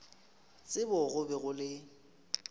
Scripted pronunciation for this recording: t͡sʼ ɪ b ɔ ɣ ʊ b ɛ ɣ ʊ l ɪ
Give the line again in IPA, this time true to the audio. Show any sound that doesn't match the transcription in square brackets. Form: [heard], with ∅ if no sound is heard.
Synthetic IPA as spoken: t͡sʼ ɪ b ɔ ɣ ʊ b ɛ ɣ ʊ l ɪ